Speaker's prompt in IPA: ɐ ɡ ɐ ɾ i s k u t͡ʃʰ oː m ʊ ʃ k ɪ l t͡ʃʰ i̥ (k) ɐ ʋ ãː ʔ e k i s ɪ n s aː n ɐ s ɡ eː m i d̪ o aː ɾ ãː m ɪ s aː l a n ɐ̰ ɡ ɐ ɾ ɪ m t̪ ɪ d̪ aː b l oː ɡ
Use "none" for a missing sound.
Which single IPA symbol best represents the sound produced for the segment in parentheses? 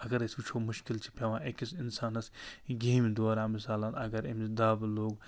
p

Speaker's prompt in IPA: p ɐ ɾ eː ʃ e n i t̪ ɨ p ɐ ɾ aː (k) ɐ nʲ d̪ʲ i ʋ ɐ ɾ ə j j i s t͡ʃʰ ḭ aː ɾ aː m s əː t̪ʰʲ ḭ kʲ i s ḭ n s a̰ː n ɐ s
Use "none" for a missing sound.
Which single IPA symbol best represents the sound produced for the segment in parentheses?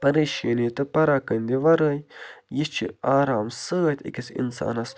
k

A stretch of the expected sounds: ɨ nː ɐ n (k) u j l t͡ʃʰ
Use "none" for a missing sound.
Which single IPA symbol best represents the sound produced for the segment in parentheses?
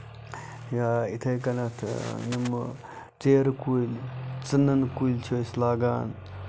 k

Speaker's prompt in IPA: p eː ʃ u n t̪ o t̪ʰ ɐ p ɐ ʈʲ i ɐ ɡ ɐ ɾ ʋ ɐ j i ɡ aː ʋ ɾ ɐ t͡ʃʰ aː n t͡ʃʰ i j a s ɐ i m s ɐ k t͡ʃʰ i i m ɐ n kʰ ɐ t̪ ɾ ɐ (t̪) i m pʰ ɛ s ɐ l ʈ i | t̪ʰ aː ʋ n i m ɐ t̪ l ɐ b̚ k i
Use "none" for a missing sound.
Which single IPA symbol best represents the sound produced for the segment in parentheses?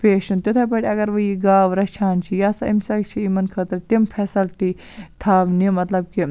t̪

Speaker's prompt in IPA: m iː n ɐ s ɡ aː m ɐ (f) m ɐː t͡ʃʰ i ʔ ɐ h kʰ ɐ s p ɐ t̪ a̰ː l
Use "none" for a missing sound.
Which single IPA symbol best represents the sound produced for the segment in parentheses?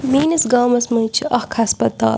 s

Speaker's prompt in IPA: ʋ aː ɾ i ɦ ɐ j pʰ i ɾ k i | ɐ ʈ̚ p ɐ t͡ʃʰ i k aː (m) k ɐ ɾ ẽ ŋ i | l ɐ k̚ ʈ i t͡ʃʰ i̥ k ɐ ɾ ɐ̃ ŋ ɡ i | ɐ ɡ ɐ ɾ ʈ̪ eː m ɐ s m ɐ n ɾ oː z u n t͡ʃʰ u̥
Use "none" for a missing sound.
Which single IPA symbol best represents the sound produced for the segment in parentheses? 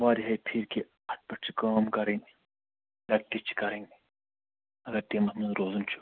m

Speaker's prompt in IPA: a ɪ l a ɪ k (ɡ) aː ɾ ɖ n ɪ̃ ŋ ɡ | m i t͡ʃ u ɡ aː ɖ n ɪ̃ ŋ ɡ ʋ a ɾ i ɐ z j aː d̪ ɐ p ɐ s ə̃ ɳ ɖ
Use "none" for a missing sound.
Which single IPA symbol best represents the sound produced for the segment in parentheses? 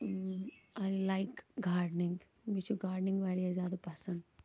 ɡ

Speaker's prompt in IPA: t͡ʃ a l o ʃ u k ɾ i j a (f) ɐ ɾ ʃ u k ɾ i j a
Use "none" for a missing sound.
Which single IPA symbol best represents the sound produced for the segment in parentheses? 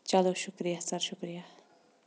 s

